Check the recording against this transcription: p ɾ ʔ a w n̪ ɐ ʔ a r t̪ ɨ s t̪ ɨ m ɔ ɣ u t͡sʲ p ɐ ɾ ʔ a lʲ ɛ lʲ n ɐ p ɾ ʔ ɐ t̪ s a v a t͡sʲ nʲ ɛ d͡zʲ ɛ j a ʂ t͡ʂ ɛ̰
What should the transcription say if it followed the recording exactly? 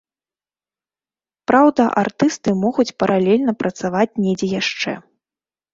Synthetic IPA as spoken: p ɾ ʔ a w d̪ ɐ ʔ a r t̪ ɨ s t̪ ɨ m ɔ ɣ u t͡sʲ p ɐ ɾ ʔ a lʲ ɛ lʲ n ɐ p ɾ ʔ ɐ t̪ s a v a t͡sʲ nʲ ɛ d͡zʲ ɛ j a ʂ t͡ʂ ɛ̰